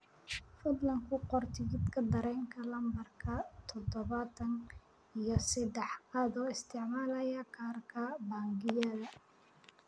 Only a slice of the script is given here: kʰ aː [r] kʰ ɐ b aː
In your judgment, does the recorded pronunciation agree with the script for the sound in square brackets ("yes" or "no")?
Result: yes